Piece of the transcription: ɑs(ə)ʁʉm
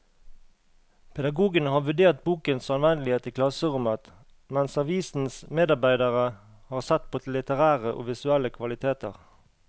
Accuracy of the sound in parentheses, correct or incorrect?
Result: correct